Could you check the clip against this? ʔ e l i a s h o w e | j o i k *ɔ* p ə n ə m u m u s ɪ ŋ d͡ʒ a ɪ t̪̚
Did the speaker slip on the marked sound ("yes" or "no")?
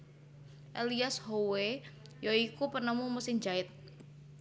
yes